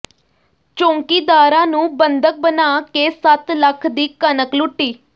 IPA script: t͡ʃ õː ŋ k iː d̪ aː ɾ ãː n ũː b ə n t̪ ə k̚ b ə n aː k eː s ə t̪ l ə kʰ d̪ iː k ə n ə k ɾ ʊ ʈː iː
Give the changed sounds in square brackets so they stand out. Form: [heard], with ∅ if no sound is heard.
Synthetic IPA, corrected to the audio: t͡ʃ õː ŋ k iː d̪ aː ɾ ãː n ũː b ə n [d̪] ə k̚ b ə n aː k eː s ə t̪ l ə kʰ d̪ iː k ə n ə k [l] ʊ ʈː iː

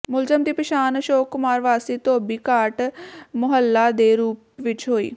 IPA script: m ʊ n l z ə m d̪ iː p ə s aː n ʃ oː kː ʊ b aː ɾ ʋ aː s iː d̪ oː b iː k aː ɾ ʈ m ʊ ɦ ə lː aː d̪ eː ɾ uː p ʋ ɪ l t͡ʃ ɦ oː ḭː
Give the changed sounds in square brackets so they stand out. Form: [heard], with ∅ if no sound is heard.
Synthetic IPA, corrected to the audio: m ʊ [∅] l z ə m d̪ iː p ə [ʃ] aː n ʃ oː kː ʊ [m] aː ɾ ʋ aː s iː [t̪] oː b iː k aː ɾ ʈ m ʊ ɦ ə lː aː d̪ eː ɾ uː p ʋ ɪ [∅] t͡ʃ ɦ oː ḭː

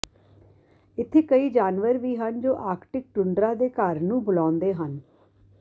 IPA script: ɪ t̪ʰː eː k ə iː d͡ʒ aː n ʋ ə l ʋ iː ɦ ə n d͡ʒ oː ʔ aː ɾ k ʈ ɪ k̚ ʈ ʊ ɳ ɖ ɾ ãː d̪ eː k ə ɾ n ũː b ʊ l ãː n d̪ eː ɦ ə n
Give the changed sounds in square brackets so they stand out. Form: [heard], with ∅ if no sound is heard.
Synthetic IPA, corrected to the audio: ɪ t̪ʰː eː k ə iː d͡ʒ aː n ʋ ə [ɾ] ʋ iː ɦ ə n d͡ʒ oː ʔ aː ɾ k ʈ ɪ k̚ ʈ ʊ ɳ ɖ ɾ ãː d̪ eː k ə ɾ n ũː b ʊ l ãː n d̪ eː ɦ ə n

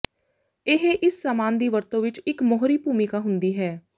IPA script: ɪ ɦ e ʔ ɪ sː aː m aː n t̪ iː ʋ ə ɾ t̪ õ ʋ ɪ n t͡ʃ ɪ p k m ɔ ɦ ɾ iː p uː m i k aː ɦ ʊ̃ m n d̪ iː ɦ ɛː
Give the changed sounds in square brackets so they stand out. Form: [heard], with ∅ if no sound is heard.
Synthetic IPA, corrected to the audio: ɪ ɦ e ʔ ɪ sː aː m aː n [d̪] iː ʋ ə ɾ t̪ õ ʋ ɪ [∅] t͡ʃ ɪ [∅] k m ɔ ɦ ɾ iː p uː m i k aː ɦ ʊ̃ [∅] n d̪ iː ɦ ɛː

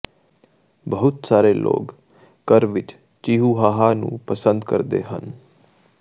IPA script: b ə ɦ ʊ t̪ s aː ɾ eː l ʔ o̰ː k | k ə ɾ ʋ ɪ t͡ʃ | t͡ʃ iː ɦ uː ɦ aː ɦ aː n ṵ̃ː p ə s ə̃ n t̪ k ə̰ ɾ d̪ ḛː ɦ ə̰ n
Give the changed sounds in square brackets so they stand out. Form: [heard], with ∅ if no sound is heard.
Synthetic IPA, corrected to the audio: b ə ɦ ʊ t̪ s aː ɾ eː l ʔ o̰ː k | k ə ɾ ʋ ɪ t͡ʃ | t͡ʃ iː ɦ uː ɦ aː ɦ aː n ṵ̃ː p ə s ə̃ n [d̪] k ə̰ ɾ d̪ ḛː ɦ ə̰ n

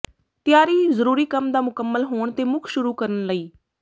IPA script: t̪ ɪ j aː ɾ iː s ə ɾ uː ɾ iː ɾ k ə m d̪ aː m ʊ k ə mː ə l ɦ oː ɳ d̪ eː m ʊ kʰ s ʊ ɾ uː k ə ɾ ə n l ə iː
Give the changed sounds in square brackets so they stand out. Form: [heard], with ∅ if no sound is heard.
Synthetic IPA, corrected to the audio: t̪ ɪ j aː ɾ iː [z] ə ɾ uː ɾ iː [∅] k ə m d̪ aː m ʊ k ə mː ə l ɦ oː ɳ [t̪] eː m ʊ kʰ [ʃ] ʊ ɾ uː k ə ɾ ə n l ə iː

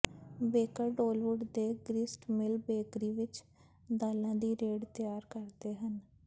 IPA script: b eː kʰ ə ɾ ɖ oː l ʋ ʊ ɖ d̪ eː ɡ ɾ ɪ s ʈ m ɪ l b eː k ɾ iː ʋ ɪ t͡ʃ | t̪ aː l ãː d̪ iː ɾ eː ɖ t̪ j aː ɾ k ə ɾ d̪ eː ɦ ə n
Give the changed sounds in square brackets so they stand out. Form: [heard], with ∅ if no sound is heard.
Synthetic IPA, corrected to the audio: b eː [k] ə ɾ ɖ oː l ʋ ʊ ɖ d̪ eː ɡ ɾ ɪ s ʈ m ɪ l b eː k ɾ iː ʋ ɪ t͡ʃ | [d̪] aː l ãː d̪ iː ɾ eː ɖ t̪ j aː ɾ k ə ɾ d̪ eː ɦ ə n

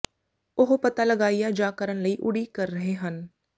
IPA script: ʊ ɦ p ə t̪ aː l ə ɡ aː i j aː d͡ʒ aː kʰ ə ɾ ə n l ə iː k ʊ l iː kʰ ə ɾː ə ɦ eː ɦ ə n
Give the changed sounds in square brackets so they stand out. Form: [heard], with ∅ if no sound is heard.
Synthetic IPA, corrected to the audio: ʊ ɦ p ə t̪ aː l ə ɡ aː i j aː d͡ʒ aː [k] ə ɾ ə n l ə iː [ʔ] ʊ [ɽ] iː [k] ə ɾː ə ɦ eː ɦ ə n

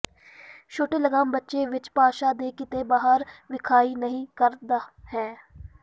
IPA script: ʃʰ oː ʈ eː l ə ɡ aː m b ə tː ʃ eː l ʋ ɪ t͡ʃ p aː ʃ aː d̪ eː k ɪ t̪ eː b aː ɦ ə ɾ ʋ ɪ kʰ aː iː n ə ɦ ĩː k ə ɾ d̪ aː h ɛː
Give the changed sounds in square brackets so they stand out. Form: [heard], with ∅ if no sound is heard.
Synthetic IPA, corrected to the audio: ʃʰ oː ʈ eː l ə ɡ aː m b ə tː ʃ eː [∅] ʋ ɪ t͡ʃ p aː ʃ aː d̪ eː k ɪ t̪ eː b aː ɦ ə ɾ ʋ ɪ kʰ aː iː n ə ɦ ĩː k ə ɾ d̪ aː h ɛː

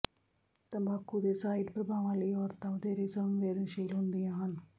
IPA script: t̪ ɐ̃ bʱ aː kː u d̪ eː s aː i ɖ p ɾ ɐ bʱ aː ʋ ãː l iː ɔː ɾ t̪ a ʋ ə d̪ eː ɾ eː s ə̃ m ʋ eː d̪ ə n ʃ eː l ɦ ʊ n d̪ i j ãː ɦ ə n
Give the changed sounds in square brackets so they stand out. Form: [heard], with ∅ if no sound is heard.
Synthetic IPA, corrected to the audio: t̪ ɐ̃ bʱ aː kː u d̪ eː s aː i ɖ p ɾ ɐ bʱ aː ʋ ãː l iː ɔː ɾ t̪ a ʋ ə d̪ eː ɾ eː s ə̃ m ʋ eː d̪ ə n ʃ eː l ɦ ʊ n d̪ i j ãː ɦ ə n

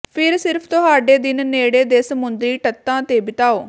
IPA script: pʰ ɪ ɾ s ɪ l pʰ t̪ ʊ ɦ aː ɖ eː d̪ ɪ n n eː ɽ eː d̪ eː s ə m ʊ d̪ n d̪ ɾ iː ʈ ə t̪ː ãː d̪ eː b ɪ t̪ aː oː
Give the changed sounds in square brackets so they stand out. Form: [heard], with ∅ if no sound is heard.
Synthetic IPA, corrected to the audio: pʰ ɪ ɾ s ɪ [ɾ] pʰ t̪ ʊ ɦ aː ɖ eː d̪ ɪ n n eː ɽ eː d̪ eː s ə m ʊ [∅] n d̪ ɾ iː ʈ ə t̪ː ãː [t̪] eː b ɪ t̪ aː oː

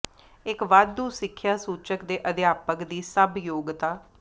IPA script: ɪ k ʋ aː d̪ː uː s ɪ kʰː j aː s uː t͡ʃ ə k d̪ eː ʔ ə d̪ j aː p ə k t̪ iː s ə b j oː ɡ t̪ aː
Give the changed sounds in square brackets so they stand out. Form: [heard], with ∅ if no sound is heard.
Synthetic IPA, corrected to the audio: ɪ k ʋ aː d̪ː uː s ɪ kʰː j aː s uː t͡ʃ ə k d̪ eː ʔ ə d̪ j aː p ə k [d̪] iː s ə b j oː ɡ t̪ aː

